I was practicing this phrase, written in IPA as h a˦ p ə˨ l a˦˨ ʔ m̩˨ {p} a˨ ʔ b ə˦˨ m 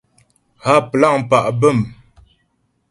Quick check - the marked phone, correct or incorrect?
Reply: correct